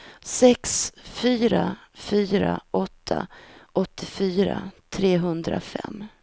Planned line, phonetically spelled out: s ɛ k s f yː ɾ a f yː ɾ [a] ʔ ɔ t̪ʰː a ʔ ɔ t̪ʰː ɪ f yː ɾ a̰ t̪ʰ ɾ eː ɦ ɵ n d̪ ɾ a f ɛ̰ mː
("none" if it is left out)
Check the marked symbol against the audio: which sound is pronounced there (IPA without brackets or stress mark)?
a